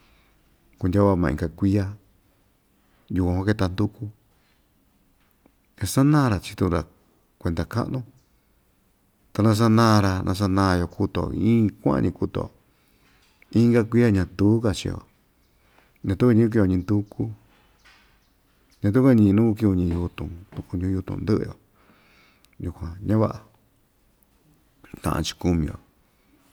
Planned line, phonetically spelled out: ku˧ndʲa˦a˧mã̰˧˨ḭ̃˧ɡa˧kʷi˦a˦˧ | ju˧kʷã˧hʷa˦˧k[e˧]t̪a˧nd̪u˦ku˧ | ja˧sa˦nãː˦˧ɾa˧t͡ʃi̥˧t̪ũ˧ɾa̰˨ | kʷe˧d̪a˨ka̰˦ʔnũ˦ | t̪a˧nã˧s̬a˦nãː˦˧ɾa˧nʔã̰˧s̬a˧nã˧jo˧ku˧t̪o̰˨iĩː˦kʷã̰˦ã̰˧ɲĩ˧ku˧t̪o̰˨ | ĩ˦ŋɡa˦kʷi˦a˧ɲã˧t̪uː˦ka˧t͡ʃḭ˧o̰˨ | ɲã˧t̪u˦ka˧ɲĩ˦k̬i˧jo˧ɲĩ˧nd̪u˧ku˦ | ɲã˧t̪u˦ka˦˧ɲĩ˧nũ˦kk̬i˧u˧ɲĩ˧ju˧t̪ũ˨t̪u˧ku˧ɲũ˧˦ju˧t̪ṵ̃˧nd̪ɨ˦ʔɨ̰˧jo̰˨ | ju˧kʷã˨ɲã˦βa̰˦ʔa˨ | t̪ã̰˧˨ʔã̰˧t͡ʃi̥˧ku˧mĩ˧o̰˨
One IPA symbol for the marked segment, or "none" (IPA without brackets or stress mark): e˧